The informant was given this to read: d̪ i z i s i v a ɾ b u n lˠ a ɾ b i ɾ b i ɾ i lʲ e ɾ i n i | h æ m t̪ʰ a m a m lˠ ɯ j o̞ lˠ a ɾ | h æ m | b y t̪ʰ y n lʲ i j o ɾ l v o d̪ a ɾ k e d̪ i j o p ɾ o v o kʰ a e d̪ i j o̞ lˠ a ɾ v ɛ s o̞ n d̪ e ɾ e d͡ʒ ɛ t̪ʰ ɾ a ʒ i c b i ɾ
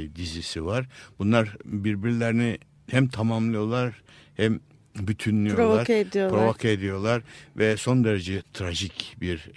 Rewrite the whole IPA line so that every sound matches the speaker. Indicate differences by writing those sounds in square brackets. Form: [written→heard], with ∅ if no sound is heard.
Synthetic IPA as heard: d̪ i z i s i v a ɾ b u n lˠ a ɾ b i ɾ b i ɾ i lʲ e ɾ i n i | h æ m t̪ʰ a m a m lˠ ɯ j o̞ lˠ a ɾ | h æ m | b y t̪ʰ y n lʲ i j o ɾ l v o [d̪→∅] a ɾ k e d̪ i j o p ɾ o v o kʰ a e d̪ i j o̞ lˠ a ɾ v ɛ s o̞ n d̪ e ɾ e d͡ʒ ɛ t̪ʰ ɾ a ʒ i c b i ɾ